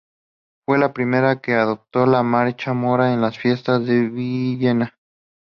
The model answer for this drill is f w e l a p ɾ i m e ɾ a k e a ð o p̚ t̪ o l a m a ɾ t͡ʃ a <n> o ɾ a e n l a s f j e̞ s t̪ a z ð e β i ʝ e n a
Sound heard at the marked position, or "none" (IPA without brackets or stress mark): m